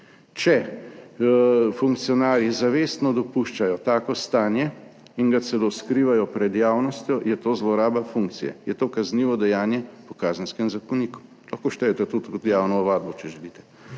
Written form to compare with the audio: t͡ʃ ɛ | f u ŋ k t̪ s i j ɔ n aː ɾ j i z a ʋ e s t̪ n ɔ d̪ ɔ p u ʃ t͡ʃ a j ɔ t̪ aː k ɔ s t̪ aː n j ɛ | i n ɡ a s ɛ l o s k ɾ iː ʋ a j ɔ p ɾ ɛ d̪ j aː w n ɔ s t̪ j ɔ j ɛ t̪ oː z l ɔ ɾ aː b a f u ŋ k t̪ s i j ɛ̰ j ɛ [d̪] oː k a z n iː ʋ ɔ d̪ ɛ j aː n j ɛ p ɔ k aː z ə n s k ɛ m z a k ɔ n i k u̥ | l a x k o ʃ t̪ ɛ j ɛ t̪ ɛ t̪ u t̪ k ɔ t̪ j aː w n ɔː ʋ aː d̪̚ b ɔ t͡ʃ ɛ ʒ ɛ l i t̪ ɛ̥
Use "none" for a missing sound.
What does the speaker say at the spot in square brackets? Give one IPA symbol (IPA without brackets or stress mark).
t̪